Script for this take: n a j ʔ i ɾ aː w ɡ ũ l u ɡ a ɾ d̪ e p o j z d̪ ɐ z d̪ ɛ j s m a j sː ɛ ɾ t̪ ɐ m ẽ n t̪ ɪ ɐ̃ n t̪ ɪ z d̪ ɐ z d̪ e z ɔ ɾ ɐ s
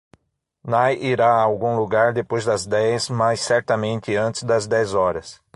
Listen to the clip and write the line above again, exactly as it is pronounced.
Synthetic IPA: n a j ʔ i ɾ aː w ɡ ũ l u ɡ a ɾ d̪ e p o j z d̪ ɐ z d̪ ɛ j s m a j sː ɛ ɾ t̪ ɐ m ẽ n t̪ ɪ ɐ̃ n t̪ ɪ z d̪ ɐ z d̪ ɛ z ɔ ɾ ɐ s